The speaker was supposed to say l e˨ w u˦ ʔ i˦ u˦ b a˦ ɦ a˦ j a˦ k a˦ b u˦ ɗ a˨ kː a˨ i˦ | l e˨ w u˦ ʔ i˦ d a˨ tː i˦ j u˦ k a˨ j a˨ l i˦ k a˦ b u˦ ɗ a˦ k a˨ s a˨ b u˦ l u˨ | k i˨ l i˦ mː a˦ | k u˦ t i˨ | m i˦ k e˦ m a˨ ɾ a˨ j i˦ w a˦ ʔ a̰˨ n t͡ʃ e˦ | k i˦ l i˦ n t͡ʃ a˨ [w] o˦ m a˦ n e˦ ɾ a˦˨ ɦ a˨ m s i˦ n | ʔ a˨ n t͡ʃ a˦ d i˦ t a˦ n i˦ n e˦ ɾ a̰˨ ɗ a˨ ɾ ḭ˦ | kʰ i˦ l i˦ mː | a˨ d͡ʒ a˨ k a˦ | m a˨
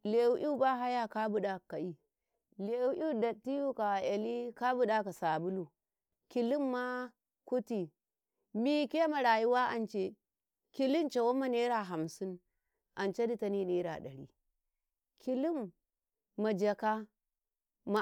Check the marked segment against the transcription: correct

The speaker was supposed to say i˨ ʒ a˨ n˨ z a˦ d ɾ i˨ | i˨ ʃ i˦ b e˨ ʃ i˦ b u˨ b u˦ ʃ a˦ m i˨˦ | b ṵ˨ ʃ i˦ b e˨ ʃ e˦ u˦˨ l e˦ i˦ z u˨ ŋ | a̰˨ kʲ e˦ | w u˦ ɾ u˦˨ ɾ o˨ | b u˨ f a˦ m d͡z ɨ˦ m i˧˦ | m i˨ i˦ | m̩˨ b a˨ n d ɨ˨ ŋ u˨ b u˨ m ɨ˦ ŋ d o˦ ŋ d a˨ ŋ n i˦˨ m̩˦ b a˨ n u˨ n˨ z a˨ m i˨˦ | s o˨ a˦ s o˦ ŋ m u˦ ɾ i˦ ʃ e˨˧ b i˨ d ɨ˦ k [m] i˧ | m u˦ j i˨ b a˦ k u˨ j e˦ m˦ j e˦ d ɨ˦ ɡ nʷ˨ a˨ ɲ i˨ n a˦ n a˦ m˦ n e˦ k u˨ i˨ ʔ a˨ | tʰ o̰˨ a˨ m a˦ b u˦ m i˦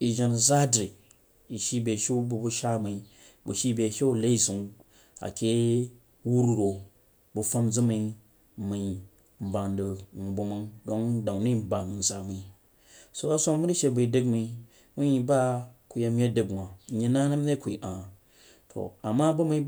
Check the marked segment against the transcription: correct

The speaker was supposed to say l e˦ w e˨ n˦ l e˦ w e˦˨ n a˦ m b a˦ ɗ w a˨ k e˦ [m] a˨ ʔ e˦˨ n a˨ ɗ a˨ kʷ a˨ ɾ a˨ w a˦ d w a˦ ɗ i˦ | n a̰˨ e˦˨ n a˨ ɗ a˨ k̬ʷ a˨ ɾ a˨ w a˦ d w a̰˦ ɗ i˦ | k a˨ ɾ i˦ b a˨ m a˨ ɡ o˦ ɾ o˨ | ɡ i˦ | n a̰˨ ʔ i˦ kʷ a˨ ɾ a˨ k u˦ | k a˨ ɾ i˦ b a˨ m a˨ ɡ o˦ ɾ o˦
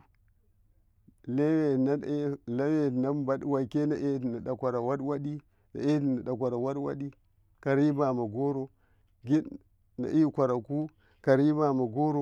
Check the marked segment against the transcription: incorrect: n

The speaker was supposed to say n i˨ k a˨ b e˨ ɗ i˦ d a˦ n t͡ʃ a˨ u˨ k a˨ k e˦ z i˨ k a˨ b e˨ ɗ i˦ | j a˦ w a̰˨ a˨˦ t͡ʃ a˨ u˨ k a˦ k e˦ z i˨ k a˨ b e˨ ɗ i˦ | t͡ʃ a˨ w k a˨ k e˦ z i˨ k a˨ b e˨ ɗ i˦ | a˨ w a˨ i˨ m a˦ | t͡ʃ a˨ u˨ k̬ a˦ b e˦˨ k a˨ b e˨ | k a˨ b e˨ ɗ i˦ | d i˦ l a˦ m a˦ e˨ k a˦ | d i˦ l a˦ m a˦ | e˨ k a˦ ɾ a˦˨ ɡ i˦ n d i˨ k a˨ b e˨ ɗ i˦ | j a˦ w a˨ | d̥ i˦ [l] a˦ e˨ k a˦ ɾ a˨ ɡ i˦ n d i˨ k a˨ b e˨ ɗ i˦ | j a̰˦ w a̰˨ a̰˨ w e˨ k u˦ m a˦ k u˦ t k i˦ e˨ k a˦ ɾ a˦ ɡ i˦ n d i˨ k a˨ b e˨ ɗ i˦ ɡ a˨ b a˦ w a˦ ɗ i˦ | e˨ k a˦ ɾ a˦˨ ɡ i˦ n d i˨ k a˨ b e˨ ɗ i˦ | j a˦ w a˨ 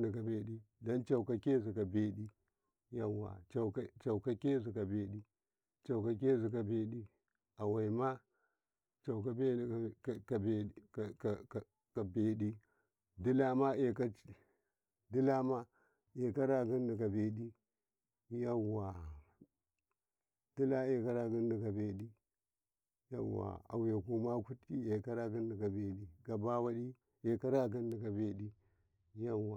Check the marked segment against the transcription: correct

